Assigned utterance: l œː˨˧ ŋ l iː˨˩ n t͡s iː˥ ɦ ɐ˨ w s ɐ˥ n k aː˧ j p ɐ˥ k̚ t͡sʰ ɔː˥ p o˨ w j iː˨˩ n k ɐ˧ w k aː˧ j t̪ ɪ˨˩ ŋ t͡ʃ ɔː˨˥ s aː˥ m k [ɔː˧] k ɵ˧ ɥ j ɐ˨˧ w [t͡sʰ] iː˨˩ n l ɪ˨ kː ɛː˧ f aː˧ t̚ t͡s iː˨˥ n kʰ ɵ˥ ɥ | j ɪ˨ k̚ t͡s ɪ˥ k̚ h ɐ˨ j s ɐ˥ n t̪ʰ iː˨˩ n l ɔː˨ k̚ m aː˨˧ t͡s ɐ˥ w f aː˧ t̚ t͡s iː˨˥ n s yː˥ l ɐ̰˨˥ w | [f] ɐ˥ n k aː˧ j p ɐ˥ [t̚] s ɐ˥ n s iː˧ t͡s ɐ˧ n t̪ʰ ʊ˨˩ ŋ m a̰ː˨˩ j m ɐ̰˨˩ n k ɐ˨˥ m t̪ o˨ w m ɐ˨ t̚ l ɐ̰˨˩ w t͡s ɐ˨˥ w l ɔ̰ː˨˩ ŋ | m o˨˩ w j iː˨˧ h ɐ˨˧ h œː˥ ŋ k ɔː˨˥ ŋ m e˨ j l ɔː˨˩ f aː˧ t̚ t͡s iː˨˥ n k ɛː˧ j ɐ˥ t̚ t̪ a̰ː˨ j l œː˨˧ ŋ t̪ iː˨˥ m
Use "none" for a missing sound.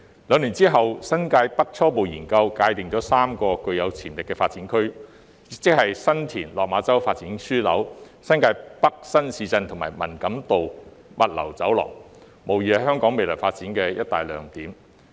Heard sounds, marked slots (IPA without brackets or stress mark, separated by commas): ɔː˧, t͡sʰ, s, k̚